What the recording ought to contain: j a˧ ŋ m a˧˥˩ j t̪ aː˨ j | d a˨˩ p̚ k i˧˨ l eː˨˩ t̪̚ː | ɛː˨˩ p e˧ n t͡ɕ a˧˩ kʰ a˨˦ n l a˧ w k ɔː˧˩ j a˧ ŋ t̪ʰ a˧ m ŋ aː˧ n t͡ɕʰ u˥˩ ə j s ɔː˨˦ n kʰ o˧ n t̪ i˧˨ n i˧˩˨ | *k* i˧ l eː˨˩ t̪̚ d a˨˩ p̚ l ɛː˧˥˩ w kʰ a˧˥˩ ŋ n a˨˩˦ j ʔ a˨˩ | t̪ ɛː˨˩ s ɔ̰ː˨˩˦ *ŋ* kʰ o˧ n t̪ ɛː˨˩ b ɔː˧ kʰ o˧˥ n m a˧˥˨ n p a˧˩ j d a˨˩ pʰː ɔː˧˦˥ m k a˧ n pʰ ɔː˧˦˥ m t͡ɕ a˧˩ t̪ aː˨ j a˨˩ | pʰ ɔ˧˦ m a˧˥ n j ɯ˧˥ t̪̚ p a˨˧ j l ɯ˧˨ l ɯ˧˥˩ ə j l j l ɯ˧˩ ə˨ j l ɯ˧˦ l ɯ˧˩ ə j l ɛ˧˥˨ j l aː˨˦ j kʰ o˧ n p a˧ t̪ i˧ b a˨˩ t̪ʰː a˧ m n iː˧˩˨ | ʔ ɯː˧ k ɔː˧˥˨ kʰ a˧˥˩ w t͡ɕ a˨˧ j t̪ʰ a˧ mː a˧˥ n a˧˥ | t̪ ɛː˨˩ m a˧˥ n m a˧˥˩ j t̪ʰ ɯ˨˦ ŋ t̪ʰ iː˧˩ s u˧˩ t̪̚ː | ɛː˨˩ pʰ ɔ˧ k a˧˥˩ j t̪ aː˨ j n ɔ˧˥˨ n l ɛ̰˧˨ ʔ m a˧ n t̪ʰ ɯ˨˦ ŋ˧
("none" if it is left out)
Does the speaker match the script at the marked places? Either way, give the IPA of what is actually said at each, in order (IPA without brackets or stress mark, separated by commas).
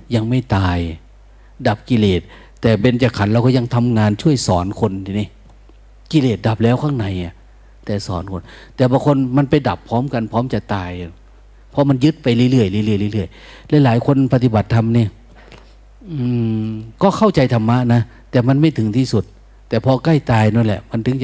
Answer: k, n